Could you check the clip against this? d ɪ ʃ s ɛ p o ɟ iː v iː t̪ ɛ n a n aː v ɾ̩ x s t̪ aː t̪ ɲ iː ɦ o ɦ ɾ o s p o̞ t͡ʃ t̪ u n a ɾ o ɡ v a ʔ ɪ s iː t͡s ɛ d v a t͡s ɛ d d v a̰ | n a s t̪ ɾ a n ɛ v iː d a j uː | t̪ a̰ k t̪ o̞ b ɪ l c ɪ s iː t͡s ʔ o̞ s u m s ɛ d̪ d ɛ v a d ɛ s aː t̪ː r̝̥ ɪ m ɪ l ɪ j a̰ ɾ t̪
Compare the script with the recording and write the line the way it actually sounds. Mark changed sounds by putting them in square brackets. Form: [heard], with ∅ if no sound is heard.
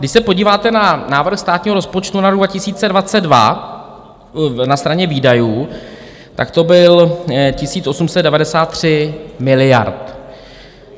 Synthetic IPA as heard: d ɪ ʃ s ɛ p o ɟ iː v [aː] t̪ ɛ n a n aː v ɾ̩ x s t̪ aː t̪ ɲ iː ɦ o [∅] ɾ o s p o̞ t͡ʃ t̪ u n a ɾ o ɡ v a [c] ɪ s iː t͡s ɛ d v a t͡s ɛ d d v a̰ | n a s t̪ ɾ a [ɲ] ɛ v iː d a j uː | t̪ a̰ k t̪ o̞ b ɪ l c ɪ s iː t͡s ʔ o̞ s u m s ɛ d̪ d ɛ v a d ɛ s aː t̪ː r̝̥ ɪ m ɪ l ɪ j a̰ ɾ t̪